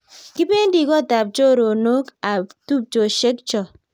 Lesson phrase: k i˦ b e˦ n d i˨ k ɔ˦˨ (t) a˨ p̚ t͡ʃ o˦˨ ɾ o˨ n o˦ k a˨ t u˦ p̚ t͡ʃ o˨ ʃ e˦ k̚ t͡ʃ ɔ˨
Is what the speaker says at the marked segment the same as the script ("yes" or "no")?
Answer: yes